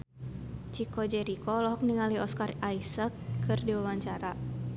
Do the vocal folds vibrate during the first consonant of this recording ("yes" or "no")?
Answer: no